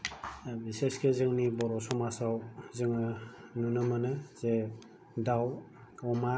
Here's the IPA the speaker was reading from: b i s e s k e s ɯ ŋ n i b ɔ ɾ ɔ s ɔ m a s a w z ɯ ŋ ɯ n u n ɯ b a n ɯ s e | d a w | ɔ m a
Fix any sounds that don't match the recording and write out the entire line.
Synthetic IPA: b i s e s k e z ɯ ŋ n i b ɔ ɾ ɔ s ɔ m a s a w z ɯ ŋ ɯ n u n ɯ m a n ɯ z e | d a w | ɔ m a